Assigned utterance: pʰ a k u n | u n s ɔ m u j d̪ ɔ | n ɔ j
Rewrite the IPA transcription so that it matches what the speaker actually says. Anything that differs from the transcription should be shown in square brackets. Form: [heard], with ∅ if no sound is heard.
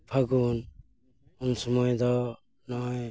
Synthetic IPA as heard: pʰ a [ɡ] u n | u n s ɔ m [ɔ] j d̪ ɔ | n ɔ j